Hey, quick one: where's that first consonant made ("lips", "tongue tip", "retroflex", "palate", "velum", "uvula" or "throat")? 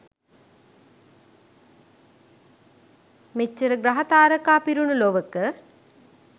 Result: lips